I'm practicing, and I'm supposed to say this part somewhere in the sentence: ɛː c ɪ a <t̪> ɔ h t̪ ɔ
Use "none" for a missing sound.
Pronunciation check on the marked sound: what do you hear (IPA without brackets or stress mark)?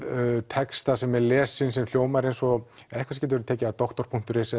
t̪